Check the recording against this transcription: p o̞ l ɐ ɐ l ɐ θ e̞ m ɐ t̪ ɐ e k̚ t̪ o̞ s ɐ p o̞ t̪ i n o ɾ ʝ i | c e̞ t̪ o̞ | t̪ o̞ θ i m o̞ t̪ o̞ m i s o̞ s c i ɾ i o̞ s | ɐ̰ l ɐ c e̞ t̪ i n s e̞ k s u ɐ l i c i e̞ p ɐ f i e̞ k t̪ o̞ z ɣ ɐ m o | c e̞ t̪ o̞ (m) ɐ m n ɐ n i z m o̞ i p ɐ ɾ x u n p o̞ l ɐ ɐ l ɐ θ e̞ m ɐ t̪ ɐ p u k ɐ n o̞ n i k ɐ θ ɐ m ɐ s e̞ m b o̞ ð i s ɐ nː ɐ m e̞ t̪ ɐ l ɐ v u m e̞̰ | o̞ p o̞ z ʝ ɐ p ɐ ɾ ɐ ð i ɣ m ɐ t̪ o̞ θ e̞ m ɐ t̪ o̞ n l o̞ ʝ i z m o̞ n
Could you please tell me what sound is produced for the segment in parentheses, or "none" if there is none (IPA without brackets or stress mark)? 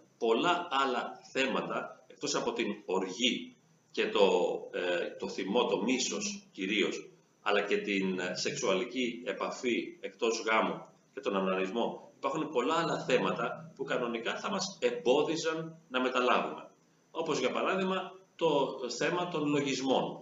n